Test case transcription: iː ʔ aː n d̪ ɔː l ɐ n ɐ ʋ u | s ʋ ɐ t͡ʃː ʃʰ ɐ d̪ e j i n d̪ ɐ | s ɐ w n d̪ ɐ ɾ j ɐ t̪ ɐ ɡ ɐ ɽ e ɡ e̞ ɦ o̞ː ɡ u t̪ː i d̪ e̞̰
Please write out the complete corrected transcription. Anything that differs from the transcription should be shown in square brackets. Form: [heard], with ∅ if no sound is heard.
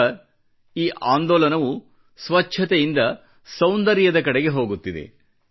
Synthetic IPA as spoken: iː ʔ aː n d̪ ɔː l ɐ n ɐ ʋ u | s ʋ ɐ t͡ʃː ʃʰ ɐ [t̪] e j i n d̪ ɐ | s ɐ w n d̪ ɐ ɾ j ɐ [d̪] ɐ [k] ɐ ɽ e ɡ e̞ ɦ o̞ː ɡ u t̪ː i d̪ e̞̰